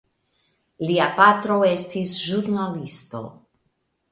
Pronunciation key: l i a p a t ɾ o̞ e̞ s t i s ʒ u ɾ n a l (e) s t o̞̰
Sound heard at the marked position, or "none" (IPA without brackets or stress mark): i